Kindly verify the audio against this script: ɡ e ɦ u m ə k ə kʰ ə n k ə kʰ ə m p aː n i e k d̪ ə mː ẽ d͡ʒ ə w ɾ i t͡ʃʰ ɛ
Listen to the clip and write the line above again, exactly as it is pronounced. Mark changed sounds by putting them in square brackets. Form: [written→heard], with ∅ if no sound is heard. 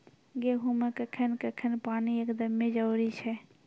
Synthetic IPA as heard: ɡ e ɦ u m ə k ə kʰ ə n k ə kʰ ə [m→n] p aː n i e k d̪ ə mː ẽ d͡ʒ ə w ɾ i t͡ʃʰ ɛ